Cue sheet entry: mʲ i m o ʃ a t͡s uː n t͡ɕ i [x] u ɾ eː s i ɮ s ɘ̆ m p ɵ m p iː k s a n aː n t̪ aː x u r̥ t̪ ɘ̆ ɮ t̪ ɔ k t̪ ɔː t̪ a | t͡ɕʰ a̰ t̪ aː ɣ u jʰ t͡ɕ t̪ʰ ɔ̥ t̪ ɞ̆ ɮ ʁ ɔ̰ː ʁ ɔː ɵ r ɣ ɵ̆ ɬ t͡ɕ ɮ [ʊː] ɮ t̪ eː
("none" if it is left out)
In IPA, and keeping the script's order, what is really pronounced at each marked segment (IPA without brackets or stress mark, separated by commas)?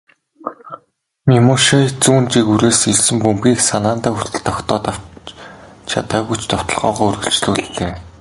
k, uː